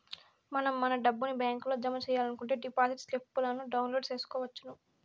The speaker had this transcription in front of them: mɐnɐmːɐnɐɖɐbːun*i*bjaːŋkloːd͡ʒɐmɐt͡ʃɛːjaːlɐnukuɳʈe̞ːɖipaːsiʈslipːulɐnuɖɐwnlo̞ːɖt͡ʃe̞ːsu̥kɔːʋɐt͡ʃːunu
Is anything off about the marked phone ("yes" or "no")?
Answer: no